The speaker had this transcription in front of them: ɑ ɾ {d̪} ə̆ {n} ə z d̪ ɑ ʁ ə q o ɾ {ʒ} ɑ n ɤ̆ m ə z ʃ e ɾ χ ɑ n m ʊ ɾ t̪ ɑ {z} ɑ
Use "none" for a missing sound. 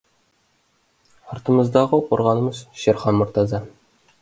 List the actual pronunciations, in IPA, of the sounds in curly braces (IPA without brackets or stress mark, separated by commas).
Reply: t̪, m, ʁ, z